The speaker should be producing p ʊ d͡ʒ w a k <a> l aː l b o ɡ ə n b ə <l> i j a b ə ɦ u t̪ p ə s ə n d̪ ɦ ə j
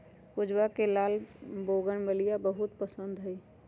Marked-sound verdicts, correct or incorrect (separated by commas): incorrect, correct